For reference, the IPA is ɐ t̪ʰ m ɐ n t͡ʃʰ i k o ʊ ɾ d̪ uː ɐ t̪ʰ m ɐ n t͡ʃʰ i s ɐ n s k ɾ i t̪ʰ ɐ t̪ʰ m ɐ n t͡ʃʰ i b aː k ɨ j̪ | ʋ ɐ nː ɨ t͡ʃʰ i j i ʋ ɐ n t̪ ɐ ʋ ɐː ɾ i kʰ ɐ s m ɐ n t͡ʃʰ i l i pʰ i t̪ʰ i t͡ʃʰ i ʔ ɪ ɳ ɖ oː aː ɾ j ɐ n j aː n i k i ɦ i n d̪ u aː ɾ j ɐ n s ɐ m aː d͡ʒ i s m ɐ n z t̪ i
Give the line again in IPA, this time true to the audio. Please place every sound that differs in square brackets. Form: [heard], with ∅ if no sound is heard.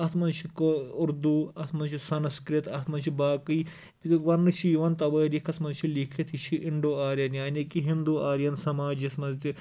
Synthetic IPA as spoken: ɐ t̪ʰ m ɐ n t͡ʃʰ i k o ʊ ɾ d̪ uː ɐ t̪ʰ m ɐ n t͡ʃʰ i s ɐ n s k ɾ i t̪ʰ ɐ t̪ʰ m ɐ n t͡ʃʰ i b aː k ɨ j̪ | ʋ ɐ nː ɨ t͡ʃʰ i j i ʋ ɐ n t̪ ɐ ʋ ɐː ɾ i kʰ ɐ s m ɐ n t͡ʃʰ i l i [kʰ] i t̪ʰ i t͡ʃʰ i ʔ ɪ ɳ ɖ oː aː ɾ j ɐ n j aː n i k i ɦ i n d̪ u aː ɾ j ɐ n s ɐ m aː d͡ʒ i s m ɐ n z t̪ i